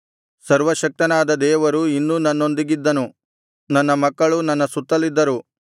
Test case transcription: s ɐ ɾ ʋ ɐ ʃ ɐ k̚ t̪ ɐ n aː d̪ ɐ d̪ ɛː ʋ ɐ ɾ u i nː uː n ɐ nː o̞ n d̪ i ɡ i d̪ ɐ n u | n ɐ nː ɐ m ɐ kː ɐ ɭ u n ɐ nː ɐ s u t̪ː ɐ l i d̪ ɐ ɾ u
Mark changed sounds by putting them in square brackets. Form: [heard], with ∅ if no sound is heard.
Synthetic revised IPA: s ɐ ɾ ʋ ɐ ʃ ɐ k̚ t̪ ɐ n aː d̪ ɐ d̪ ɛː ʋ ɐ ɾ u i nː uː n ɐ nː o̞ n d̪ i ɡ i [d̪ː] ɐ n u | n ɐ nː ɐ m ɐ kː ɐ ɭ u n ɐ nː ɐ s u t̪ː ɐ l i [d̪ː] ɐ ɾ u